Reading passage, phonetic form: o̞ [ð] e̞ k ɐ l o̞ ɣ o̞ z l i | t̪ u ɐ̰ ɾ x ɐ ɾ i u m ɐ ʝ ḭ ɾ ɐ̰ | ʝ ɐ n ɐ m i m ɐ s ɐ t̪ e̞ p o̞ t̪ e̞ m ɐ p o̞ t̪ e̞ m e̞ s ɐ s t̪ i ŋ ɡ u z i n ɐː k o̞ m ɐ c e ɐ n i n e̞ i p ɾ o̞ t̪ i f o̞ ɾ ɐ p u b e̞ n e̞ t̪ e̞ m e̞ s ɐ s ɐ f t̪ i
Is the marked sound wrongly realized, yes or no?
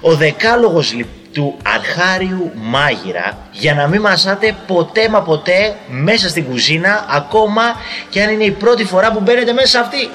no